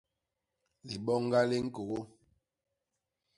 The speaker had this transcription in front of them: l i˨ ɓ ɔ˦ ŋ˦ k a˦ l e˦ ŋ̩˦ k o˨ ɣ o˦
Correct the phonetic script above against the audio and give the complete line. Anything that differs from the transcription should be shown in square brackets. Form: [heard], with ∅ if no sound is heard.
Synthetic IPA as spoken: l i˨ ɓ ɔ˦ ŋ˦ [ɡ] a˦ l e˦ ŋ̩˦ k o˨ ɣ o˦